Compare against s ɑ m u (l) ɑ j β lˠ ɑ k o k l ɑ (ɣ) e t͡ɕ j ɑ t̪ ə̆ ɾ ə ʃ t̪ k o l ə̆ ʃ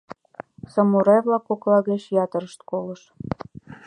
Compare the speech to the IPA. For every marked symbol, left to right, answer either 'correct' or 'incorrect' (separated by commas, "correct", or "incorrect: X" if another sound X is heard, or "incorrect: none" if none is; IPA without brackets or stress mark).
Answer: incorrect: ɾ, correct